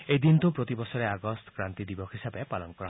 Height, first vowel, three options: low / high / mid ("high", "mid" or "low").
mid